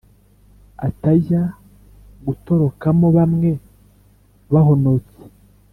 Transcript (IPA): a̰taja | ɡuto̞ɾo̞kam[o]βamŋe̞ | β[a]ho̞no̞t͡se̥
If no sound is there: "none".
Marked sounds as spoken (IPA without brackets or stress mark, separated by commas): o, a